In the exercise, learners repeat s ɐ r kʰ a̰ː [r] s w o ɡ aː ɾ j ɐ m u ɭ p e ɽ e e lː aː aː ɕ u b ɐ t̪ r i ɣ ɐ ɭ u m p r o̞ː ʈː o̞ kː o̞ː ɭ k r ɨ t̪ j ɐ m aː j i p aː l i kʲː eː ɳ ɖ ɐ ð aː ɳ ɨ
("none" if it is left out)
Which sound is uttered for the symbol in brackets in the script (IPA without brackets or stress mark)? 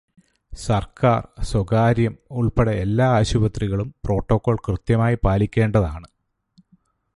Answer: r